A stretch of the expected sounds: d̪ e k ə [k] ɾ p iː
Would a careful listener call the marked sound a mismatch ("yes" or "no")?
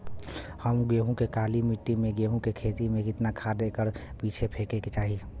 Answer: yes